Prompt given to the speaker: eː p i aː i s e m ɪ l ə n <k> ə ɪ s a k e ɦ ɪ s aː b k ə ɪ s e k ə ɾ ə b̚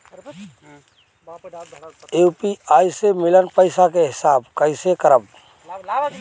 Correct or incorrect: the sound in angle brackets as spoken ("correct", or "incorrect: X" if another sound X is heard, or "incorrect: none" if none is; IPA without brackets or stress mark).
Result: incorrect: p